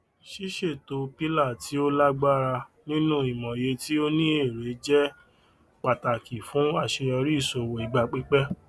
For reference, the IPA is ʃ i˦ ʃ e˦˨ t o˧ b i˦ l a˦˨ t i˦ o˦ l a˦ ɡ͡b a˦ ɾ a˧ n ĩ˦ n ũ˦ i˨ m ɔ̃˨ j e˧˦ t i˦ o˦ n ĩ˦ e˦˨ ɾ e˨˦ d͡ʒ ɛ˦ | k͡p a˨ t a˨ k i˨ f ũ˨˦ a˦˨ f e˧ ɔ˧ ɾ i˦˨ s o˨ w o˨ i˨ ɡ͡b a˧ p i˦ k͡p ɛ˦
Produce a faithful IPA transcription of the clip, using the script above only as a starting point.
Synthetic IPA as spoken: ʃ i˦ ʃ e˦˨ t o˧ p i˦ l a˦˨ t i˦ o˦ l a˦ ɡ͡b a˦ ɾ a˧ n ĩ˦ n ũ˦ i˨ m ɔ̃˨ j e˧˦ t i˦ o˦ n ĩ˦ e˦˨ ɾ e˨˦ d͡ʒ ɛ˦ | k͡p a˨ t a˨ k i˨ f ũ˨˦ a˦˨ ʃ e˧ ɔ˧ ɾ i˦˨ s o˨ w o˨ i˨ ɡ͡b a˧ k͡p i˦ k͡p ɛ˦